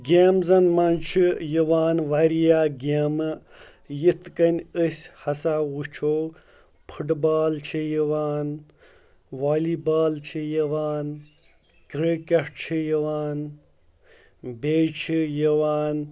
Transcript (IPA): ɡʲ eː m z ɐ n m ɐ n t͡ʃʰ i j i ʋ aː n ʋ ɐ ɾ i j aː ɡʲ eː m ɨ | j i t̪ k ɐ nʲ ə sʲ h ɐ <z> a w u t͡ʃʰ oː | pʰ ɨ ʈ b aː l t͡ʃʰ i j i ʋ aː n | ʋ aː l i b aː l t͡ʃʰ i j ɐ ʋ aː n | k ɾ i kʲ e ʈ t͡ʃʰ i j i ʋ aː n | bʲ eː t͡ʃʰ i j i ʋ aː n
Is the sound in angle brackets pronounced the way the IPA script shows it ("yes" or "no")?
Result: no